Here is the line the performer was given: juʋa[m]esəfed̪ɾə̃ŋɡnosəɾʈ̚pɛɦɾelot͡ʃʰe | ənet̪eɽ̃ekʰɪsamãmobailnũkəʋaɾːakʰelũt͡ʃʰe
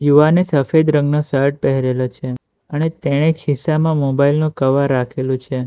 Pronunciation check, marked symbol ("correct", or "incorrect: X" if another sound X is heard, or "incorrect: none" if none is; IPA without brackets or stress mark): incorrect: n